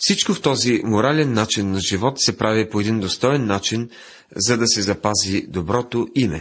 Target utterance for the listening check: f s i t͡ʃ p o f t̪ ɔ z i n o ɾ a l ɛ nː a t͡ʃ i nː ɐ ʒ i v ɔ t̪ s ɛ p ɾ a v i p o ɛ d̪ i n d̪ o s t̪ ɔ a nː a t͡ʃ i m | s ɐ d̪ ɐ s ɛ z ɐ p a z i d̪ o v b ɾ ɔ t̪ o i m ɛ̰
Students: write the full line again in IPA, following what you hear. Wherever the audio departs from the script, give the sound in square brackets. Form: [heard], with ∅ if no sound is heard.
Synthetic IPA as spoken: f s i t͡ʃ [k] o f t̪ ɔ z i [m] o ɾ a l ɛ nː a t͡ʃ i nː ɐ ʒ i v ɔ t̪ s ɛ p ɾ a v i p o ɛ d̪ i n d̪ o s t̪ ɔ [ɛ] nː a t͡ʃ i [n] | [z] ɐ d̪ ɐ s ɛ z ɐ p a z i d̪ o [∅] b ɾ ɔ t̪ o i m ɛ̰